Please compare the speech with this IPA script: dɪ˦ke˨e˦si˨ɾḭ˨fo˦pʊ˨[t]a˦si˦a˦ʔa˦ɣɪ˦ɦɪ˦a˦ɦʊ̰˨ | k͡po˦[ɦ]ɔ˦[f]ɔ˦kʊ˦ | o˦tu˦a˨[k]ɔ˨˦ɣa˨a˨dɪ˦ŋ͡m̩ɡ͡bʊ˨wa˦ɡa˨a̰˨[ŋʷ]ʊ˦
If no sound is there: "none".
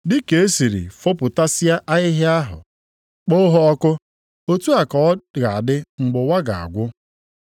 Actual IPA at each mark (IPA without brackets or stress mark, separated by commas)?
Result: t, ɦ, none, k, ɡʷ